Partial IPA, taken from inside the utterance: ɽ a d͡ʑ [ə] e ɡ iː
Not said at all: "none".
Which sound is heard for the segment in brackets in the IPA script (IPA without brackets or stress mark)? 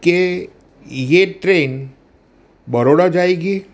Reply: a